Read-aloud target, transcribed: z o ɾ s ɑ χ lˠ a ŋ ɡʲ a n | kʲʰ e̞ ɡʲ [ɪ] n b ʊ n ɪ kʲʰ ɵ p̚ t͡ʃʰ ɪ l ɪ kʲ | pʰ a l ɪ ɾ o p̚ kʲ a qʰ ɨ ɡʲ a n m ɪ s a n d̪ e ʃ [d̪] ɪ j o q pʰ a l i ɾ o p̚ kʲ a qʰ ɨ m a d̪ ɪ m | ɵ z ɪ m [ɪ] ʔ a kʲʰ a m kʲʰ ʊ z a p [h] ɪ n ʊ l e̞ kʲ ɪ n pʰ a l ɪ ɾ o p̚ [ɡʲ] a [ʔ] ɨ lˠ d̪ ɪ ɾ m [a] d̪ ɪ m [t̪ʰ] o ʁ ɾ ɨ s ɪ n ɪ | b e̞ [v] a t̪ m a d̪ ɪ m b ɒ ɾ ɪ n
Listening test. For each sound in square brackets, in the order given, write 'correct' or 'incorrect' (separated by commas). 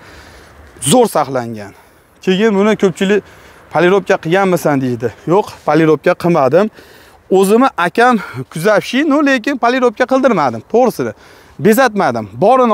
correct, correct, correct, incorrect, incorrect, incorrect, correct, correct, incorrect